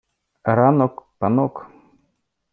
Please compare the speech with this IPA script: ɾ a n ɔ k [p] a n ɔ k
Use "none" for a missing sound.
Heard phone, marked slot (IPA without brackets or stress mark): p